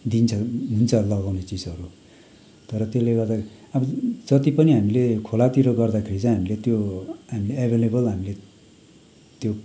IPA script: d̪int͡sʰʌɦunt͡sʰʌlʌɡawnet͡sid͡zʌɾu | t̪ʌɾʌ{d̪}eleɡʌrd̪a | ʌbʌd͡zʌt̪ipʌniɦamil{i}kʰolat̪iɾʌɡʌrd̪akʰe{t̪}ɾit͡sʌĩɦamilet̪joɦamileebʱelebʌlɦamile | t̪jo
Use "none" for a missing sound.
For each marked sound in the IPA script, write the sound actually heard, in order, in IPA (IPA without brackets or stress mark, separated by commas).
t̪, e, none